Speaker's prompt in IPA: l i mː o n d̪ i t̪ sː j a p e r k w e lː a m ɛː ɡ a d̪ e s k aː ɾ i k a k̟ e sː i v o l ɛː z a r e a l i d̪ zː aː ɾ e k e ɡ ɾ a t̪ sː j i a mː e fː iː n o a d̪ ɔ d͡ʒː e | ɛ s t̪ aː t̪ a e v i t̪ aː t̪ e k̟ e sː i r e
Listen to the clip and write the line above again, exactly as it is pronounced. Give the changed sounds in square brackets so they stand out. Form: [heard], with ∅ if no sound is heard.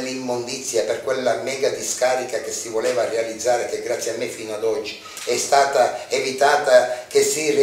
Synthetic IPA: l i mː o n d̪ i t̪ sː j a p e r k w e lː a m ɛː ɡ a d̪ [i] s k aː ɾ i k a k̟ e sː i v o l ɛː [v] a r e a l i d̪ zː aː ɾ e k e ɡ ɾ a t̪ sː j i a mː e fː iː n o a d̪ ɔ d͡ʒː [i] | ɛ s t̪ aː t̪ a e v i t̪ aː t̪ [a] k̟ e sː i r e